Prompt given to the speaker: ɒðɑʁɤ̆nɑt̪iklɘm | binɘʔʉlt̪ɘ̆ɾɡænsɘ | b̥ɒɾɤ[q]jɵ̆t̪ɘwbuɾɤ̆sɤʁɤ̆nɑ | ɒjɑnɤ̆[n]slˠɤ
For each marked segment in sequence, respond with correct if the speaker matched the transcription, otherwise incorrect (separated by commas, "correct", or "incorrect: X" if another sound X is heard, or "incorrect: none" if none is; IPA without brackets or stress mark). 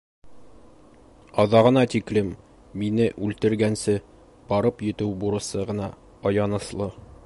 incorrect: p, incorrect: none